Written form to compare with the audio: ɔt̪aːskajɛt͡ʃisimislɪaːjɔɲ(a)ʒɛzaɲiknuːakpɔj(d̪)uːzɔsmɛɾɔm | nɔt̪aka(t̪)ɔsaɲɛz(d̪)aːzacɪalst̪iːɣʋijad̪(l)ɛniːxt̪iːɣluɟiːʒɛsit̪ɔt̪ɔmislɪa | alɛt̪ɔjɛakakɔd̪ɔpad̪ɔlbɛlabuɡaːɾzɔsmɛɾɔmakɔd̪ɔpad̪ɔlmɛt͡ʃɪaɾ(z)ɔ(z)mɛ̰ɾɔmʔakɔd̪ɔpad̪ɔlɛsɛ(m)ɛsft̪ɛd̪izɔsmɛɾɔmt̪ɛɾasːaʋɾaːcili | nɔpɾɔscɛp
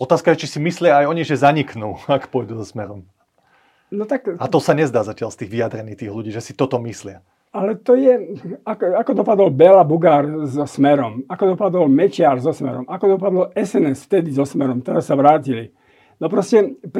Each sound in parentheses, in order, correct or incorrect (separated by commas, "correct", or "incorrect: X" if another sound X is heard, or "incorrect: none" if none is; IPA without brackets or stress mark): incorrect: i, correct, correct, correct, incorrect: ɾ, correct, incorrect: s, incorrect: n